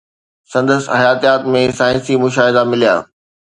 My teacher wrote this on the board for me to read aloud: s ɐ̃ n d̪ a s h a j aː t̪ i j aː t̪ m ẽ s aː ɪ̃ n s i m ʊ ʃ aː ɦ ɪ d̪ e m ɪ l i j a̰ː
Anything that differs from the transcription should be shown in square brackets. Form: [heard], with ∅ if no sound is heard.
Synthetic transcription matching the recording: s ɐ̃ n d̪ [ə] s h [ɐ] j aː t̪ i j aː t̪ m ẽ s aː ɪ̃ n s i m ʊ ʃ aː ɦ ɪ d̪ [a] m ɪ l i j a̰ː